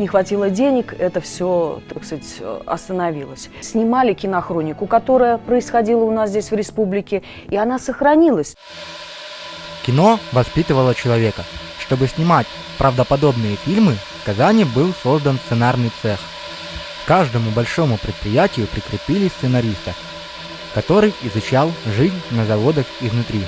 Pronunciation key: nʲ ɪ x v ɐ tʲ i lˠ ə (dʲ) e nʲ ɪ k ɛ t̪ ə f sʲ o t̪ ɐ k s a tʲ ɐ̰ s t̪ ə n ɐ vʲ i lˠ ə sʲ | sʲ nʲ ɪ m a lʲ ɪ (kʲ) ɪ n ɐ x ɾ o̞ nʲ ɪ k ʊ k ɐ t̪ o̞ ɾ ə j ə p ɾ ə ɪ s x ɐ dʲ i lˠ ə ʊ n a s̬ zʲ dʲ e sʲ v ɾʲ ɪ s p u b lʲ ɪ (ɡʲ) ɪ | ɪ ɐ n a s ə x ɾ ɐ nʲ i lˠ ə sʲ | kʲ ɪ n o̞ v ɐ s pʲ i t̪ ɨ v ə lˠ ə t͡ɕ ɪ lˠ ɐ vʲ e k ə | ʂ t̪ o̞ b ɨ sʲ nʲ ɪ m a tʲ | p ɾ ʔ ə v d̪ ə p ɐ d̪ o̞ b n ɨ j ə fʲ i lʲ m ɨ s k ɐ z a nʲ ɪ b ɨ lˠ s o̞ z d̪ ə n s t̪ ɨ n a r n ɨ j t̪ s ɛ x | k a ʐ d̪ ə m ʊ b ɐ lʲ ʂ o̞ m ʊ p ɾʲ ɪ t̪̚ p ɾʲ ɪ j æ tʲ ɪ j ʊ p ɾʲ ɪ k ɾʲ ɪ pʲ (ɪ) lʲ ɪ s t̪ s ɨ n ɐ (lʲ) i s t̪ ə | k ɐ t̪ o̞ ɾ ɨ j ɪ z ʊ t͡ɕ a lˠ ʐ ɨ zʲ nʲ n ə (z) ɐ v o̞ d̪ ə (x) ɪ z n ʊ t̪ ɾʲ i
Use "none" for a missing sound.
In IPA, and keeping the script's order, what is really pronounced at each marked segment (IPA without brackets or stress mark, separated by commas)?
dʲ, kʲ, kʲ, i, ɾʲ, z, x